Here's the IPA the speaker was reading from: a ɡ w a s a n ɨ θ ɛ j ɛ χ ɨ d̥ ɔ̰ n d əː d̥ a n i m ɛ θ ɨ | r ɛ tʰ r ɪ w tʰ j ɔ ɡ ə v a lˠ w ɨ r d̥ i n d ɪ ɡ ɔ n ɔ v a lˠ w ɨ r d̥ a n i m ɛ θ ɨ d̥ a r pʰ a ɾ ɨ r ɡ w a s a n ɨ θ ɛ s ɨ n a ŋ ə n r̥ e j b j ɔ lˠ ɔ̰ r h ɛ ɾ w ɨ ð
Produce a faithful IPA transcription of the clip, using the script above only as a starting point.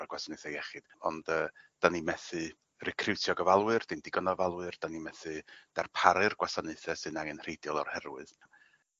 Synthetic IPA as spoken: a ɡ w a s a n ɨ θ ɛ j ɛ χ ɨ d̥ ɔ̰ n d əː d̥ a n i m ɛ θ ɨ | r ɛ kʰ r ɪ w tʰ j ɔ ɡ ə v a lˠ w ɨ r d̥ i n d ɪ ɡ ɔ n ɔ v a lˠ w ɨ r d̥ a n i m ɛ θ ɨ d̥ a r pʰ a ɾ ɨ r ɡ w a s a n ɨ θ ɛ s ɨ n a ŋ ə n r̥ e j d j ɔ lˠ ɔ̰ r h ɛ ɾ w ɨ ð